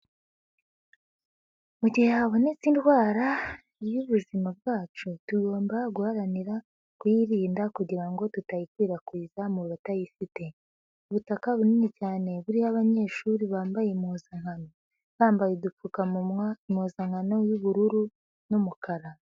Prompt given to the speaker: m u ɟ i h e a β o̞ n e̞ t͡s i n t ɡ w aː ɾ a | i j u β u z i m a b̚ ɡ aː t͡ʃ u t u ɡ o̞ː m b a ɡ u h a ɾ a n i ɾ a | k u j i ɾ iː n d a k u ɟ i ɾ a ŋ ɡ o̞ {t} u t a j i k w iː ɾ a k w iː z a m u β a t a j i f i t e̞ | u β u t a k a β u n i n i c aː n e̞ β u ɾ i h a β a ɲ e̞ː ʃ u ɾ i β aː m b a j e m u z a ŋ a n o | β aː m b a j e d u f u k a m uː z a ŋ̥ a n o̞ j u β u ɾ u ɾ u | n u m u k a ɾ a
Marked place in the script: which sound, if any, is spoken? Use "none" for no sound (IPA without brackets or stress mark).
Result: t